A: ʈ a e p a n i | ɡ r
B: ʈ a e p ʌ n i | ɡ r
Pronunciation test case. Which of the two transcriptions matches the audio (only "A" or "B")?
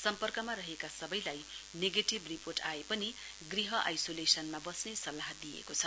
B